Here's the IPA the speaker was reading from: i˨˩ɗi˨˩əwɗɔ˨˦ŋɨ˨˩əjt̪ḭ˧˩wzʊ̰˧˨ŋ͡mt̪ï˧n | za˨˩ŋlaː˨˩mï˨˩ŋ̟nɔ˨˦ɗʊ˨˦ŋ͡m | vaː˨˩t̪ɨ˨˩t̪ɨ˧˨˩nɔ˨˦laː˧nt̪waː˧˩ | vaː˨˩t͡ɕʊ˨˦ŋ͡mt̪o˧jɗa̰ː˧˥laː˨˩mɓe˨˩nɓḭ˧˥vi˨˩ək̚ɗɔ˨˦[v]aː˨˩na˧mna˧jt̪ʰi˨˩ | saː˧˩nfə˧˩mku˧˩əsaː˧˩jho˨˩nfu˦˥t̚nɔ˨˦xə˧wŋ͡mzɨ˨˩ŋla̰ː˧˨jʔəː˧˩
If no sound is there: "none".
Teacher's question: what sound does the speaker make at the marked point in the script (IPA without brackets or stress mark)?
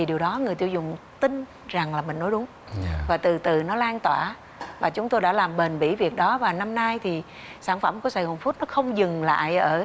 v